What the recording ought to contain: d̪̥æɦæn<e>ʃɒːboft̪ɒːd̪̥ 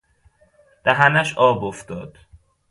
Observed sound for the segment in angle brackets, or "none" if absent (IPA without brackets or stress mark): æ